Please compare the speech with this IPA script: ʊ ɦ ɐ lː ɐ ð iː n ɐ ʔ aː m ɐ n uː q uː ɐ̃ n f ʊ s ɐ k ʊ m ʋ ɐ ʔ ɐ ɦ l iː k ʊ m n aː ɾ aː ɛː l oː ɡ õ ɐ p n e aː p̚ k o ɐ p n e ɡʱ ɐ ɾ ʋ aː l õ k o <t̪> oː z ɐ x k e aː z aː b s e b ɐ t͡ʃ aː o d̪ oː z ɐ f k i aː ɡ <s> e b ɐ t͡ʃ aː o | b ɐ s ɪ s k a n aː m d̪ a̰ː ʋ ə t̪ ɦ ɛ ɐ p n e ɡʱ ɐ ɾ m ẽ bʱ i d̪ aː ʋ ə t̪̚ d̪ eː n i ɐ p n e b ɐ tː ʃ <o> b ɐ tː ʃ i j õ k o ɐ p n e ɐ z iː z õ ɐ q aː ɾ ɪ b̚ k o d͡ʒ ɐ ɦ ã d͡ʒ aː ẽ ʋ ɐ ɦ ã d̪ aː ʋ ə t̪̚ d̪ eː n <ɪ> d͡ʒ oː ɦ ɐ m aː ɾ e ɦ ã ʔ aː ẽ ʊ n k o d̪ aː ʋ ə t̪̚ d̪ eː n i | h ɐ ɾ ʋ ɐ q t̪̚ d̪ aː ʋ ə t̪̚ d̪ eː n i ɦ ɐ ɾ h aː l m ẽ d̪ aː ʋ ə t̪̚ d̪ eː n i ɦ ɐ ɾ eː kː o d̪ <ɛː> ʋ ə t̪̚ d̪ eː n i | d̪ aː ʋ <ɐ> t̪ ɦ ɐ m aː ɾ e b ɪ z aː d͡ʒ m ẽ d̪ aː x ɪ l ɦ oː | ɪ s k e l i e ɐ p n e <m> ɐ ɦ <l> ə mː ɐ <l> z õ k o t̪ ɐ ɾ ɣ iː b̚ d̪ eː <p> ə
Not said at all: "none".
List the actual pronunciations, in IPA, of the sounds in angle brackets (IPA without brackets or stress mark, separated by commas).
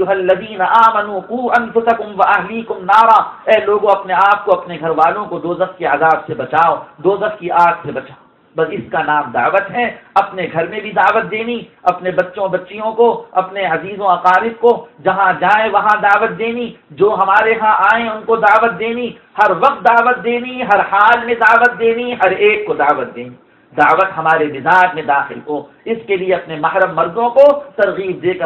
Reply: d̪, s, õ, i, aː, ə, m, ɾ, ɾ, k